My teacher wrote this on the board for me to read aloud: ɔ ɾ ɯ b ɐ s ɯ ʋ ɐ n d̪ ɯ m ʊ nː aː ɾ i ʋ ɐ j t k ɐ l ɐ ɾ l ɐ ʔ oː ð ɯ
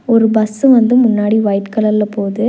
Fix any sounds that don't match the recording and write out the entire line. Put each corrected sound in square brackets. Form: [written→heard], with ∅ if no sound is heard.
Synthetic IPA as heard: ɔ ɾ ɯ b ɐ s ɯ ʋ ɐ n d̪ ɯ m ʊ nː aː [ɾ→ɽ] i ʋ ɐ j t k ɐ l ɐ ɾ l ɐ [ʔ→p] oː ð ɯ